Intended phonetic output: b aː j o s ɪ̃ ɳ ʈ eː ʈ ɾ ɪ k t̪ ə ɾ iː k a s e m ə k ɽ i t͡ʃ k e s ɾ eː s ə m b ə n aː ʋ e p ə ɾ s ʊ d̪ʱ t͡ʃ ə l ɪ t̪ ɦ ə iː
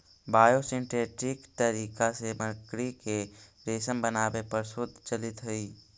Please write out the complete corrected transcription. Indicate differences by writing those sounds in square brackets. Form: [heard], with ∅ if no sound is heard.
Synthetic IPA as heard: b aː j o s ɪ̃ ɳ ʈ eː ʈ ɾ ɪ k t̪ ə ɾ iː k a s e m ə k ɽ i [∅] k e [∅] ɾ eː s ə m b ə n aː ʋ e p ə ɾ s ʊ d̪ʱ t͡ʃ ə l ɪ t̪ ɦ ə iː

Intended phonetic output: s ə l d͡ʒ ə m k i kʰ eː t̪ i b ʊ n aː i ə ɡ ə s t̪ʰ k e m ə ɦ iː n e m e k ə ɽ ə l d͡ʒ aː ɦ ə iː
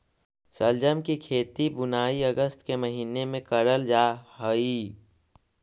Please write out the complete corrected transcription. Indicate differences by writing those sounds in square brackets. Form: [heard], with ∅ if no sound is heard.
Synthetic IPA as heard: s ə l d͡ʒ ə m k i kʰ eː t̪ i b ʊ n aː i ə ɡ ə s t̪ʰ k e m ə ɦ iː n e m [ẽ] k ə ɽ ə l d͡ʒ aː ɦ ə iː

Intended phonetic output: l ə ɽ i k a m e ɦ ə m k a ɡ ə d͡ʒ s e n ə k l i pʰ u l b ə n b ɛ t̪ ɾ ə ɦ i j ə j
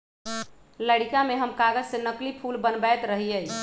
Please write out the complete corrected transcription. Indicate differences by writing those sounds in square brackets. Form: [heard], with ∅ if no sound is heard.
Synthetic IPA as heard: l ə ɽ i k a m e ɦ ə m k a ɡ ə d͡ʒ s e n ə k l i pʰ u l b ə n b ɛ t̪ ɾ ə ɦ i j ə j

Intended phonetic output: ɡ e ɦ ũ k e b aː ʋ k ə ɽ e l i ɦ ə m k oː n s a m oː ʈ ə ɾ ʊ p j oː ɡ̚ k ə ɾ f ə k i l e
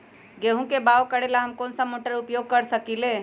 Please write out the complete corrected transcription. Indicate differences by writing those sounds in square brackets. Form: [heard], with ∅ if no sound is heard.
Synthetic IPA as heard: ɡ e ɦ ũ k e b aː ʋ k ə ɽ e l [a] ɦ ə m k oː n s a m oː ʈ ə ɾ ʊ p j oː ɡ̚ k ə ɾ [s] ə k i l e

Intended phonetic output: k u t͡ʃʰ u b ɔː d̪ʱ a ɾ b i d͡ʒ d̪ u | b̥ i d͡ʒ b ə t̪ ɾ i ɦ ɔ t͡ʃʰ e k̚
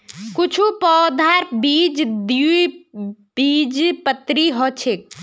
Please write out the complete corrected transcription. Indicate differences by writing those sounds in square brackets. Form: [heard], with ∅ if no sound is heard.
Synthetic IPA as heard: k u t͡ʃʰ u [p] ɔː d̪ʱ a ɾ b i d͡ʒ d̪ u | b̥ i d͡ʒ [p] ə t̪ ɾ i ɦ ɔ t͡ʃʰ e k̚

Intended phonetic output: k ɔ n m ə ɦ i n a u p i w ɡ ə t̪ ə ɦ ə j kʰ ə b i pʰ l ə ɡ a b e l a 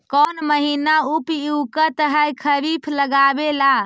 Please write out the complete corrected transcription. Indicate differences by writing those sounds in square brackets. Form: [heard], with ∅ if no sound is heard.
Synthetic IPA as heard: k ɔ n m ə ɦ i n a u p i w [k] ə t̪ ə ɦ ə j kʰ ə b i pʰ l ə ɡ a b e l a

